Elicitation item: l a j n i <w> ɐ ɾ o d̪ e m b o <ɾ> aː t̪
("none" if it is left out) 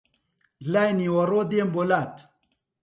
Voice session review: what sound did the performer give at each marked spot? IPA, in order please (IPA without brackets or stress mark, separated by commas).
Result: w, l